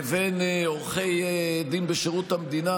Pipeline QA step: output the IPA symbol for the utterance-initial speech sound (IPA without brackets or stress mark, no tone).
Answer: v